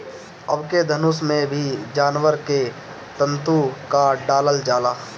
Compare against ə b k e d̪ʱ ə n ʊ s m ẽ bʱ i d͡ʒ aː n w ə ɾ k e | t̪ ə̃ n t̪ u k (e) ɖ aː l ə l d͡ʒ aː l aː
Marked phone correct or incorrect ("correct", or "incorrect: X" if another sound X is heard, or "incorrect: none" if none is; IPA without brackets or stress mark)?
incorrect: a